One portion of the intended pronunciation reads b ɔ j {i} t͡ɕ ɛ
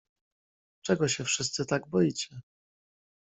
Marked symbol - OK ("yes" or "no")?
yes